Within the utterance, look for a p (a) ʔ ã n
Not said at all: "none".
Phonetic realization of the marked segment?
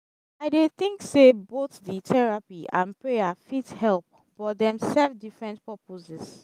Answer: i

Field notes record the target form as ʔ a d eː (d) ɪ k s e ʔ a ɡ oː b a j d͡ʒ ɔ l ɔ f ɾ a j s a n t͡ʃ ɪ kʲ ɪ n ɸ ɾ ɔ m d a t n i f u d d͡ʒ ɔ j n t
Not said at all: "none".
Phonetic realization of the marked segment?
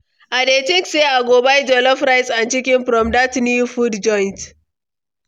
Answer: t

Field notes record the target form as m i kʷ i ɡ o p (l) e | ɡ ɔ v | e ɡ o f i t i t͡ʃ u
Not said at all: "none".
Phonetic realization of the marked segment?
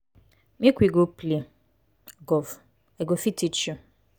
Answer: l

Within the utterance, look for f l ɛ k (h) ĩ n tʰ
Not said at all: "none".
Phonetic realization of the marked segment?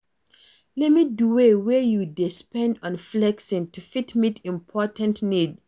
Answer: s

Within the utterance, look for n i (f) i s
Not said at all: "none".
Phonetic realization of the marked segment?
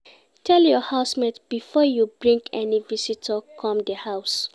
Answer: v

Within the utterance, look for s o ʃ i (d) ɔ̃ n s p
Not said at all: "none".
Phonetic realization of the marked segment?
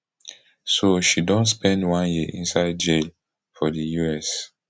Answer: d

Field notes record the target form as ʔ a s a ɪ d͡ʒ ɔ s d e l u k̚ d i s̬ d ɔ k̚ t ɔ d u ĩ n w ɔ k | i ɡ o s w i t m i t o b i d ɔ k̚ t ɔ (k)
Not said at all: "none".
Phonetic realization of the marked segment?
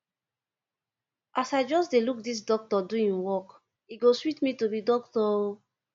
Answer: none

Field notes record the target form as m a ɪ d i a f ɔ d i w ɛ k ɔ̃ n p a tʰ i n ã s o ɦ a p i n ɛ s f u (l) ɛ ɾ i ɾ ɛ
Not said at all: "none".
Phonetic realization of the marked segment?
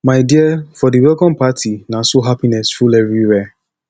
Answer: l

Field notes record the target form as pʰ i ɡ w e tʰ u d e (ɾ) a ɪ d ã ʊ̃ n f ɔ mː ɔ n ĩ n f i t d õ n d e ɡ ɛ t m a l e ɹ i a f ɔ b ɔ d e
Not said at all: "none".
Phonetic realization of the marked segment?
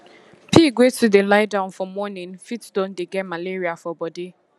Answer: l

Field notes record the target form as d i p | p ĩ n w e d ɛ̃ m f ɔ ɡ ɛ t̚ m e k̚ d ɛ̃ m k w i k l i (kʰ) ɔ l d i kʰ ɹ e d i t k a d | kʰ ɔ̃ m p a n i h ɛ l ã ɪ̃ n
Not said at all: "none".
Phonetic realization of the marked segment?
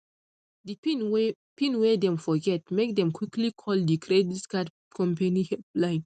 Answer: kʰ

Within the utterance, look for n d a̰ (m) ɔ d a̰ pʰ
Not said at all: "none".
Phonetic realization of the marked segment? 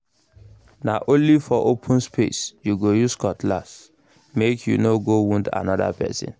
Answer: n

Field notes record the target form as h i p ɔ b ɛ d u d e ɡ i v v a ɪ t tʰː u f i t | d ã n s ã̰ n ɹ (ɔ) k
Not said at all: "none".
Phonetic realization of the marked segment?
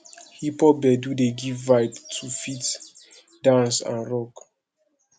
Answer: ɔ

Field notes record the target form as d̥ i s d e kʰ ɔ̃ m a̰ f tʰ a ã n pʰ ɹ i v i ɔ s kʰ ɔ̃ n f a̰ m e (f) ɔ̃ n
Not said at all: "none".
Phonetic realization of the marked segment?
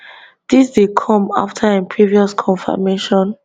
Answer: ʃ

